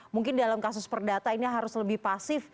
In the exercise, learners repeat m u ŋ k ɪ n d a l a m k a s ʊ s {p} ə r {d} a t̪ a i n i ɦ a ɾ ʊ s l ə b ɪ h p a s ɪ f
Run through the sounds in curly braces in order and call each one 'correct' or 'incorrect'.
correct, correct

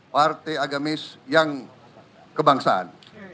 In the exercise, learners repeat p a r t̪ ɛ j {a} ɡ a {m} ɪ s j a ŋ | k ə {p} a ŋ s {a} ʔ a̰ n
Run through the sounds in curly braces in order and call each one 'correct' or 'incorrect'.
correct, correct, incorrect, correct

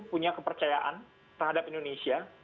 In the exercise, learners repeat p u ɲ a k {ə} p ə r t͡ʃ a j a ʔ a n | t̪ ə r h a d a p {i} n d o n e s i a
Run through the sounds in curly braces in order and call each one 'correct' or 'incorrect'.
correct, correct

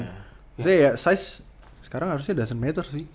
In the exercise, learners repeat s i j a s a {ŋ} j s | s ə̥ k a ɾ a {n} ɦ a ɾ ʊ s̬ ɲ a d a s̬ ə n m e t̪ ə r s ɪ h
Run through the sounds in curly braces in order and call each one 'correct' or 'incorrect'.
incorrect, incorrect

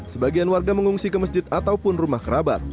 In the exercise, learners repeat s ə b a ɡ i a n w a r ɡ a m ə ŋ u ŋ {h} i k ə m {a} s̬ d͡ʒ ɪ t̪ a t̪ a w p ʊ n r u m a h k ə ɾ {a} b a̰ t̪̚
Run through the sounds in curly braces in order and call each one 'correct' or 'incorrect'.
incorrect, incorrect, correct

